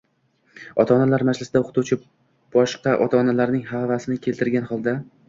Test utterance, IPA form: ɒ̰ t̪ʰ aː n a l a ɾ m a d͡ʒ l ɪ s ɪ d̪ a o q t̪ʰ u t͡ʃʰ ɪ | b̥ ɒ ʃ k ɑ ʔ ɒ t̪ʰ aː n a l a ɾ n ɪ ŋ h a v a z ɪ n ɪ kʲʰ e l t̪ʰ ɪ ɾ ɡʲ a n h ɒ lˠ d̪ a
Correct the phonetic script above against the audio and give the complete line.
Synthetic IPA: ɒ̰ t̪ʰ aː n a l a ɾ m a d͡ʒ l ɪ s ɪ d̪ a o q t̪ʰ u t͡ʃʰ ɪ | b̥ ɒ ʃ q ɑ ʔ ɒ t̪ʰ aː n a l a ɾ n ɪ ŋ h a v a s ɪ n ɪ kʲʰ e l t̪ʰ ɪ ɾ ɡʲ a n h ɒ lˠ d̪ a